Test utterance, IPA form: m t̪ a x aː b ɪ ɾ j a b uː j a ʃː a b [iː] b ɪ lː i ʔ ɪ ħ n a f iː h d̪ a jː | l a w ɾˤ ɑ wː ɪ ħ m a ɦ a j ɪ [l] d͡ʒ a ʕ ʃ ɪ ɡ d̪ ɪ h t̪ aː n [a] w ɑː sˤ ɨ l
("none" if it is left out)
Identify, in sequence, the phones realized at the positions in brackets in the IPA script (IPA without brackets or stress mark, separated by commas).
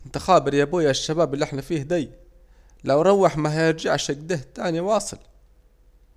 aː, ɾ, i